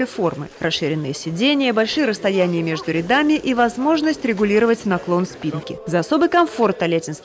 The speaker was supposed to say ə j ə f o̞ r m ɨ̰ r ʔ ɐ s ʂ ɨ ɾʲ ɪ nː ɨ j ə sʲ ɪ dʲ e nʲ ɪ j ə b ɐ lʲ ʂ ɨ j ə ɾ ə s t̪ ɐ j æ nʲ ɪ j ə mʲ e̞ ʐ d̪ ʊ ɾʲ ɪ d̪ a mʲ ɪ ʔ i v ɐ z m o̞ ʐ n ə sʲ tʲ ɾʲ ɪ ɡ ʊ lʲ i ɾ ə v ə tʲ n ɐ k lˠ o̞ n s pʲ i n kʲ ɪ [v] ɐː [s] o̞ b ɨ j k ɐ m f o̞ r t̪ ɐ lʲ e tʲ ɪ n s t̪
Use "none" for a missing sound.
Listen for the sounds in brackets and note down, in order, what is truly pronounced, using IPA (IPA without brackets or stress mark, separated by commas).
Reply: z, s